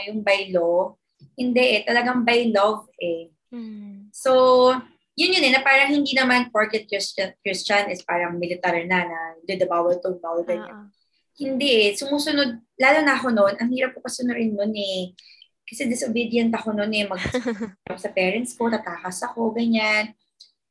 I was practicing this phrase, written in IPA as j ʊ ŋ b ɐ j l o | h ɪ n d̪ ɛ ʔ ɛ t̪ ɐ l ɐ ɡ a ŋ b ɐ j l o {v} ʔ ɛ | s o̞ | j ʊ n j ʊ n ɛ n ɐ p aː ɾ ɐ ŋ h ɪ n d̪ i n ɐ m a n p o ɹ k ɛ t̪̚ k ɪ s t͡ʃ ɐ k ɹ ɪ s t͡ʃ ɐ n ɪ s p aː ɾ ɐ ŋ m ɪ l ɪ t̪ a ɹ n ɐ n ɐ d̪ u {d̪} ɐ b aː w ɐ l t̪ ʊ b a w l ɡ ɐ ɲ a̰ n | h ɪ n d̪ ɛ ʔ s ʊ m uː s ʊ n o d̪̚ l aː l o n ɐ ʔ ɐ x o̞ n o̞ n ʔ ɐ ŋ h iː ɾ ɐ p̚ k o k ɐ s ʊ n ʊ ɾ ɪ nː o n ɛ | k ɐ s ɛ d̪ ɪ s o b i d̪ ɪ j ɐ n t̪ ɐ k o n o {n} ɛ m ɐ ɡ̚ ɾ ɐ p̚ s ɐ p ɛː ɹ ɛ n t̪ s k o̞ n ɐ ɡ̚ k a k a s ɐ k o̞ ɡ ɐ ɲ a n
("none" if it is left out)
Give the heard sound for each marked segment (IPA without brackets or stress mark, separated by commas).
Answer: v, d̪, n